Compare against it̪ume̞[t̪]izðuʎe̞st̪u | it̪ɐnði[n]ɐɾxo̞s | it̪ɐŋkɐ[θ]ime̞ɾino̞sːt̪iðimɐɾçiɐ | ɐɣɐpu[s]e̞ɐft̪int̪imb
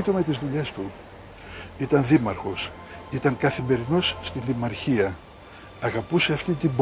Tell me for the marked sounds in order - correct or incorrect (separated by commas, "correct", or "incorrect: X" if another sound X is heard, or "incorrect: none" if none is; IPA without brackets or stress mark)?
correct, incorrect: m, correct, correct